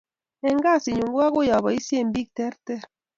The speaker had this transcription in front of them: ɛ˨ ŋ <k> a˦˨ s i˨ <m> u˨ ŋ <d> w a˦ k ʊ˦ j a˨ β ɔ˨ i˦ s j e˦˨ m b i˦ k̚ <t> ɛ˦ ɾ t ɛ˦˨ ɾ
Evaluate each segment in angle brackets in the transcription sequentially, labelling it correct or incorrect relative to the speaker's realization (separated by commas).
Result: incorrect, incorrect, incorrect, correct